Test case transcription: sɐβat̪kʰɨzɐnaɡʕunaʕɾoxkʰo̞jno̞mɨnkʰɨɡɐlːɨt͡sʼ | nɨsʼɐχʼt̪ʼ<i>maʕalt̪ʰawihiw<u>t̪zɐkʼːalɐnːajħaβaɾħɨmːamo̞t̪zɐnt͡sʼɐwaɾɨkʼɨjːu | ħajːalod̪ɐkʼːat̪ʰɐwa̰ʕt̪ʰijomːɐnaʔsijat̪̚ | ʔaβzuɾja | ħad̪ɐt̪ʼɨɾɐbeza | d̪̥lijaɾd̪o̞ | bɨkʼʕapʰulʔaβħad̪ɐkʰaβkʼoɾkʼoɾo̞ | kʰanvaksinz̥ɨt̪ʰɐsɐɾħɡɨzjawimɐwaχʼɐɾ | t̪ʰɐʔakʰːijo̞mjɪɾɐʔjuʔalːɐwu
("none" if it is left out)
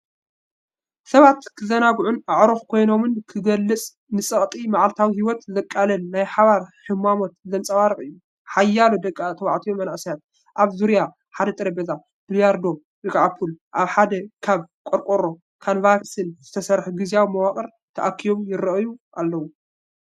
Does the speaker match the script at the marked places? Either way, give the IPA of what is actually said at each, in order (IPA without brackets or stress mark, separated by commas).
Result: i, ɔ